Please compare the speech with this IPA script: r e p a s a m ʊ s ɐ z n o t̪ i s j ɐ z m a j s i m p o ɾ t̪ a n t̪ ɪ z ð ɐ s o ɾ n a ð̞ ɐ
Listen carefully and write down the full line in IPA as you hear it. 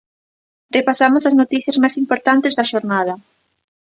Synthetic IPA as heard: r e p a s a m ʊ s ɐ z n o t̪ i θ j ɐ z m a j s i m p o ɾ t̪ a n t̪ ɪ z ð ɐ ʃ o ɾ n a ð̞ ɐ